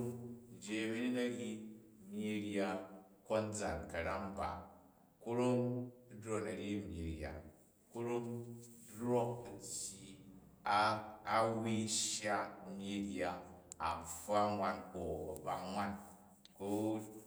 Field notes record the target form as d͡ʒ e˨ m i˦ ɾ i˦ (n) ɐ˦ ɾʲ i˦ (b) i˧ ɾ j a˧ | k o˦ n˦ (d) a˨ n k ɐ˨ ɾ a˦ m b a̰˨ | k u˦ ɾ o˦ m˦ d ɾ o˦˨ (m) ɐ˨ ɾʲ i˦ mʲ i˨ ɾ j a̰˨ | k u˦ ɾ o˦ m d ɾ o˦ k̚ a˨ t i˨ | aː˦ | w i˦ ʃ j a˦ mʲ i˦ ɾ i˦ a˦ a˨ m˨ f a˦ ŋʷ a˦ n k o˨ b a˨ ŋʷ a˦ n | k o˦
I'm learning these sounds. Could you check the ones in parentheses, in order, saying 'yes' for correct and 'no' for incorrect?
yes, no, no, no

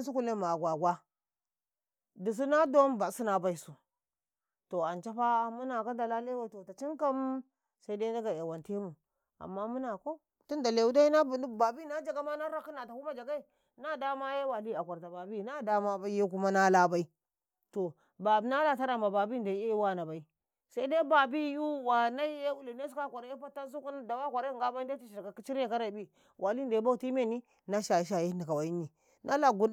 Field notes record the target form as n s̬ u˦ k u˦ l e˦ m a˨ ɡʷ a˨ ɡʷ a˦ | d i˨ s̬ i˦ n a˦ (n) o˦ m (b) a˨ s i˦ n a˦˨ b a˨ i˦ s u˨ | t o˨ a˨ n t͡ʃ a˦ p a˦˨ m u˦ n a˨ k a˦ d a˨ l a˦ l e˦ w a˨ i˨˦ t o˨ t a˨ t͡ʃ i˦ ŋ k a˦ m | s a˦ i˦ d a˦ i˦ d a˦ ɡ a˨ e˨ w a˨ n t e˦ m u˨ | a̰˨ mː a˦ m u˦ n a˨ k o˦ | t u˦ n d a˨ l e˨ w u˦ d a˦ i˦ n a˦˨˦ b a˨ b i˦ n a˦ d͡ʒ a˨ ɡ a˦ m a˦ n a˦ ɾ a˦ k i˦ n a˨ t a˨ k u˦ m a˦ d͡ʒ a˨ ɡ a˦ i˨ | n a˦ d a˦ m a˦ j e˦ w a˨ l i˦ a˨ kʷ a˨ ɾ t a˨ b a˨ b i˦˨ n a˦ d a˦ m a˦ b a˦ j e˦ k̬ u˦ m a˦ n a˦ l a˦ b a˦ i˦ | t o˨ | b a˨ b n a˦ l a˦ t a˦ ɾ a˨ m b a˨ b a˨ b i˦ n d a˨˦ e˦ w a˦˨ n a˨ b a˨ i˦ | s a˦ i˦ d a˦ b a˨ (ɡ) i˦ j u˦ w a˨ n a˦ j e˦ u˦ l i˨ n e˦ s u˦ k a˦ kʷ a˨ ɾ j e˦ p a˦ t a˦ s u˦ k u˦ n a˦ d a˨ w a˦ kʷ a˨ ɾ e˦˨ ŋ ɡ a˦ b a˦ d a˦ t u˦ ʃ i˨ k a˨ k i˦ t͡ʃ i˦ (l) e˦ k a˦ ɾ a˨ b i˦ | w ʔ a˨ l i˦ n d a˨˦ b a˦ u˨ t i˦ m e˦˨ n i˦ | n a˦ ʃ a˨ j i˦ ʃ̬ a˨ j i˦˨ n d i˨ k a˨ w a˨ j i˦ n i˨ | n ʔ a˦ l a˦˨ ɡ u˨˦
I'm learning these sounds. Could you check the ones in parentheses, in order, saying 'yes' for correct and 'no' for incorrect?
no, yes, no, no

